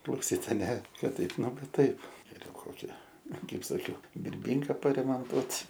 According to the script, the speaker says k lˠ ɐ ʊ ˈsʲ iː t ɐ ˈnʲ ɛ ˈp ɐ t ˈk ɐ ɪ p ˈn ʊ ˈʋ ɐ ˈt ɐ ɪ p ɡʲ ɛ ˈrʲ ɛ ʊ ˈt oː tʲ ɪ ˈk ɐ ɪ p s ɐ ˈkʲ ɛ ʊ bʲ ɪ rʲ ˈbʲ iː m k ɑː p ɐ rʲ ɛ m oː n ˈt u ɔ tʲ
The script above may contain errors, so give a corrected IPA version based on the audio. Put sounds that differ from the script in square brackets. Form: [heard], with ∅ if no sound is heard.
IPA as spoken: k lˠ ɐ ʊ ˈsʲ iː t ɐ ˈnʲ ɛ [ˈk] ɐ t [ˈt] ɐ ɪ p ˈn ʊ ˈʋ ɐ ˈt ɐ ɪ p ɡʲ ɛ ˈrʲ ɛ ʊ [ˈk] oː [kʲ] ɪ ˈk ɐ ɪ p s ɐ ˈkʲ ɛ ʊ bʲ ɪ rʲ ˈbʲ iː [ŋ] k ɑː p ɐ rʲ ɛ m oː n ˈt u ɔ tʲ